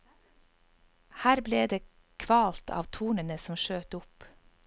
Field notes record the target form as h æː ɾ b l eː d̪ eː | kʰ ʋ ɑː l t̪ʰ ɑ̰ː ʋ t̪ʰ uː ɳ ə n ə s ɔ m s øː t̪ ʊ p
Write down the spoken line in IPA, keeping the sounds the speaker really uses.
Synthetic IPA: h æː ɾ b l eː d̪ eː | kʰ ʋ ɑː l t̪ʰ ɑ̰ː ʋ t̪ʰ uː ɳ ə n ə s ɔ m ʃ øː t̪ ʊ p